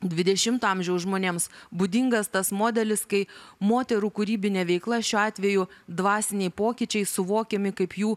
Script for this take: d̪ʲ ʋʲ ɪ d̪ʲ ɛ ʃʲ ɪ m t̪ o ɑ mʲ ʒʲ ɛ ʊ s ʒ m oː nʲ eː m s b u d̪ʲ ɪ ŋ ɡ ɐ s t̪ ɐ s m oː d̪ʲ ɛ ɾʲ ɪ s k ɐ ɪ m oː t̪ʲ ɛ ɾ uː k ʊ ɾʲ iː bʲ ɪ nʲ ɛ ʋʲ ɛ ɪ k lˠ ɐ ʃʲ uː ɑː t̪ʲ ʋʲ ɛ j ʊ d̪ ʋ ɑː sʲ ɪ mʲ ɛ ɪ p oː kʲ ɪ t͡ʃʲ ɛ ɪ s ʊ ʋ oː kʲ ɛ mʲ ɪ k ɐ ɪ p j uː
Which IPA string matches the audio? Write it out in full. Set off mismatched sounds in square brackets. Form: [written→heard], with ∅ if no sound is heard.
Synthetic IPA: d̪ʲ ʋʲ ɪ d̪ʲ ɛ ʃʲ ɪ m t̪ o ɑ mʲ ʒʲ ɛ ʊ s ʒ m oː nʲ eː m s b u d̪ʲ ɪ ŋ ɡ ɐ s t̪ ɐ s m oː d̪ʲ ɛ [ɾʲ→lʲ] ɪ s k ɐ ɪ m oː t̪ʲ ɛ ɾ uː k ʊ ɾʲ iː bʲ ɪ nʲ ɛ ʋʲ ɛ ɪ k lˠ ɐ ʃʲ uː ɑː t̪ʲ ʋʲ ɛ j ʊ d̪ ʋ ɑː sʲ ɪ [mʲ→nʲ] ɛ ɪ p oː kʲ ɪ t͡ʃʲ ɛ ɪ s ʊ ʋ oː kʲ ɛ mʲ ɪ k ɐ ɪ p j uː

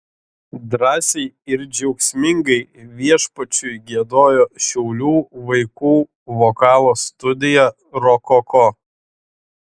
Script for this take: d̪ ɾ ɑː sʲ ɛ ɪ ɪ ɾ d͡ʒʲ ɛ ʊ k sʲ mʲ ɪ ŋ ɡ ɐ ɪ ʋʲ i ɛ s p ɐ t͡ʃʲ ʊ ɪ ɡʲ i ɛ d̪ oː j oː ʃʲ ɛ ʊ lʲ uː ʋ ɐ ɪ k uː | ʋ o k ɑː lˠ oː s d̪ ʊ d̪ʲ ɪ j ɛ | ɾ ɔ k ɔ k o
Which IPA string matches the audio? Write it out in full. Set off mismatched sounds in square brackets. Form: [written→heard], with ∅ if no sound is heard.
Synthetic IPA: d̪ ɾ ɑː sʲ ɛ ɪ ɪ ɾ d͡ʒʲ ɛ ʊ k sʲ mʲ ɪ ŋ ɡ ɐ ɪ ʋʲ i ɛ [s→ʃ] p ɐ t͡ʃʲ ʊ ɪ ɡʲ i ɛ d̪ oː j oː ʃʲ ɛ ʊ lʲ uː ʋ ɐ ɪ k uː | ʋ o k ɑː lˠ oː s [d̪→t̪] ʊ d̪ʲ ɪ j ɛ | ɾ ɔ k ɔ k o

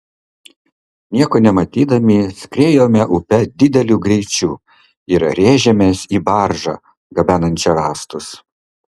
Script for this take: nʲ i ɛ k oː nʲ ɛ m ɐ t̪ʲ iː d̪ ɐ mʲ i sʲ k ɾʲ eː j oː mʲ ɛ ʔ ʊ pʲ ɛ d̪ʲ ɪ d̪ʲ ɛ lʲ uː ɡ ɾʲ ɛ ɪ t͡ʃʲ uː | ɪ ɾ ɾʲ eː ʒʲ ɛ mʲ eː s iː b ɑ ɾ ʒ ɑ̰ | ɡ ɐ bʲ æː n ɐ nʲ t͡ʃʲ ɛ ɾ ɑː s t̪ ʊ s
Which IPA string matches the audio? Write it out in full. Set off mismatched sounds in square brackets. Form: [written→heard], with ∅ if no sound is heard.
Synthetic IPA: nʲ i ɛ k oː nʲ ɛ m ɐ t̪ʲ iː d̪ ɐ mʲ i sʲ k ɾʲ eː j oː mʲ ɛ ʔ ʊ pʲ ɛ d̪ʲ ɪ d̪ʲ ɛ lʲ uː ɡ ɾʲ ɛ ɪ t͡ʃʲ uː | ɪ ɾ ɾʲ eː ʒʲ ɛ mʲ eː s iː b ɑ ɾ ʒ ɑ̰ | ɡ ɐ bʲ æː n ɐ nʲ t͡ʃʲ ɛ ɾ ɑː s t̪ ʊ s

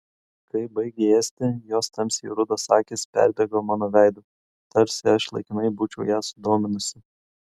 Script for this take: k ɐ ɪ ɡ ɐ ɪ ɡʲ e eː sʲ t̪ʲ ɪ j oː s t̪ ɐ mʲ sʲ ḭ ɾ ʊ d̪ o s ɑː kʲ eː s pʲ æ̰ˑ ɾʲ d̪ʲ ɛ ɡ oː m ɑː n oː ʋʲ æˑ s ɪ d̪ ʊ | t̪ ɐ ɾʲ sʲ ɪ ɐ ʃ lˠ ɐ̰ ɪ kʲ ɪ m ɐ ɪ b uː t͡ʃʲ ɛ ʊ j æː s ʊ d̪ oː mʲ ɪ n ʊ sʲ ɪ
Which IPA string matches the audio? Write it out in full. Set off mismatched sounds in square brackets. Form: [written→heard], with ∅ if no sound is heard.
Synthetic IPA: k ɐ ɪ [ɡ→b] ɐ ɪ ɡʲ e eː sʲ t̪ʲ ɪ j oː s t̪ ɐ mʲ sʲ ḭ ɾ ʊ d̪ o s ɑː kʲ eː s pʲ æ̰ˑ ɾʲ d̪ʲ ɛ ɡ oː m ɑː n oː ʋʲ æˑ [s→∅] ɪ d̪ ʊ | t̪ ɐ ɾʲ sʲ ɪ ɐ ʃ lˠ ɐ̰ ɪ kʲ ɪ [m→n] ɐ ɪ b uː t͡ʃʲ ɛ ʊ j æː s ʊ d̪ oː mʲ ɪ n ʊ sʲ ɪ

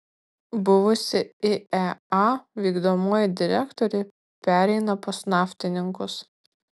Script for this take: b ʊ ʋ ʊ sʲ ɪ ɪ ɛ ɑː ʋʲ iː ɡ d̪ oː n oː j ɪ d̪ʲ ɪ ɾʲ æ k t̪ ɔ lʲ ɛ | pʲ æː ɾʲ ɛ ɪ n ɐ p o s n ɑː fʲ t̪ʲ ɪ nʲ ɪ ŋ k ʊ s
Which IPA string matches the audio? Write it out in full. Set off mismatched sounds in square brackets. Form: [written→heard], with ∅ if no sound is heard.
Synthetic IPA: b ʊ ʋ ʊ sʲ ɪ ɪ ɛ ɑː ʋʲ iː ɡ d̪ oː [n→m] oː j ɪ d̪ʲ ɪ ɾʲ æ k t̪ ɔ [lʲ→ɾʲ] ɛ | pʲ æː ɾʲ ɛ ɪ n ɐ p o s n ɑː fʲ t̪ʲ ɪ nʲ ɪ ŋ k ʊ s

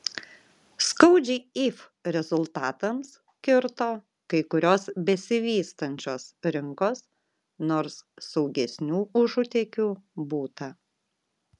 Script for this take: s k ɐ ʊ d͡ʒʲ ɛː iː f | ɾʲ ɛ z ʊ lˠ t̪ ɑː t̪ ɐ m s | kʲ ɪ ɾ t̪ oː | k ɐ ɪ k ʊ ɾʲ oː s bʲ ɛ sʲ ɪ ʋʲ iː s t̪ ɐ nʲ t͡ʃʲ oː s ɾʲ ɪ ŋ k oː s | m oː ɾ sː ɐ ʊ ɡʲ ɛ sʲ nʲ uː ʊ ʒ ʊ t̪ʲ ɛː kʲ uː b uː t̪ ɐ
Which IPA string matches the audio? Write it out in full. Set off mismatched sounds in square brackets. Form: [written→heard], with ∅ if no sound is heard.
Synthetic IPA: s k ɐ ʊ d͡ʒʲ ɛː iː f | ɾʲ ɛ z ʊ lˠ t̪ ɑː t̪ ɐ m s | kʲ ɪ ɾ t̪ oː | k ɐ ɪ k ʊ ɾʲ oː s bʲ ɛ sʲ ɪ ʋʲ iː s t̪ ɐ nʲ t͡ʃʲ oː s ɾʲ ɪ ŋ k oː s | [m→n] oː ɾ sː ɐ ʊ ɡʲ ɛ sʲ nʲ uː ʊ ʒ ʊ t̪ʲ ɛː kʲ uː b uː t̪ ɐ

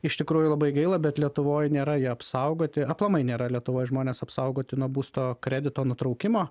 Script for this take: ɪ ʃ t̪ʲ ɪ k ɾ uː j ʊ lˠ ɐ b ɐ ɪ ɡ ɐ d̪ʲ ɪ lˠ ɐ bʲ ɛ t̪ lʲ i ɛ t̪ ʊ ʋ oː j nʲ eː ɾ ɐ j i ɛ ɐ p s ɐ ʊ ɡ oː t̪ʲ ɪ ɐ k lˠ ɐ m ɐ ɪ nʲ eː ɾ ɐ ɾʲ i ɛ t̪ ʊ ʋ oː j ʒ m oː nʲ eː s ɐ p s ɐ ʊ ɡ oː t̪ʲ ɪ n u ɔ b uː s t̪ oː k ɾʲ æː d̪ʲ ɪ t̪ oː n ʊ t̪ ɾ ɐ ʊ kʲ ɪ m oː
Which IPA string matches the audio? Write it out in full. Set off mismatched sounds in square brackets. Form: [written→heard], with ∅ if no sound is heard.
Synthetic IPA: ɪ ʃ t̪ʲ ɪ k ɾ uː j ʊ lˠ ɐ b ɐ ɪ ɡ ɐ [d̪ʲ→∅] ɪ lˠ ɐ bʲ ɛ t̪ lʲ i ɛ t̪ ʊ ʋ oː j nʲ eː ɾ ɐ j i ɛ ɐ p s ɐ ʊ ɡ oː t̪ʲ ɪ ɐ [k→p] lˠ ɐ m ɐ ɪ nʲ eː ɾ ɐ [ɾʲ→lʲ] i ɛ t̪ ʊ ʋ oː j ʒ m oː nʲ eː s ɐ p s ɐ ʊ ɡ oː t̪ʲ ɪ n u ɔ b uː s t̪ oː k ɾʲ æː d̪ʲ ɪ t̪ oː n ʊ t̪ ɾ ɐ ʊ kʲ ɪ m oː

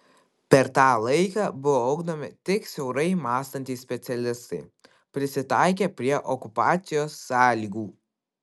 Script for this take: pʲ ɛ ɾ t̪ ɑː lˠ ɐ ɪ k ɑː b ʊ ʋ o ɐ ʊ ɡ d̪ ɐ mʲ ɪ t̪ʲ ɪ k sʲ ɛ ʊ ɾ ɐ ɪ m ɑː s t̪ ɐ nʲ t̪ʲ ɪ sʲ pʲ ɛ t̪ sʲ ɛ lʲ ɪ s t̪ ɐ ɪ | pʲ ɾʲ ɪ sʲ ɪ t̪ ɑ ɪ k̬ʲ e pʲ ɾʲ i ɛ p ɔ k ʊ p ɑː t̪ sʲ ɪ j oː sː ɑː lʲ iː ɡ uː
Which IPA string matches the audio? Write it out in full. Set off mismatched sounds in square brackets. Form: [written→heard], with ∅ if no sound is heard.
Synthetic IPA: pʲ ɛ ɾ t̪ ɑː lˠ ɐ ɪ k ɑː b ʊ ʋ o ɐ ʊ ɡ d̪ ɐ mʲ ɪ t̪ʲ ɪ k sʲ ɛ ʊ ɾ ɐ ɪ m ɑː s t̪ ɐ nʲ t̪ʲ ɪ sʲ pʲ ɛ t̪ sʲ ɛ lʲ ɪ s t̪ ɐ ɪ | pʲ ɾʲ ɪ sʲ ɪ t̪ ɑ ɪ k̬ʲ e pʲ ɾʲ i ɛ [p→ʔ] ɔ k ʊ p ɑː t̪ sʲ ɪ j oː sː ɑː lʲ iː ɡ uː

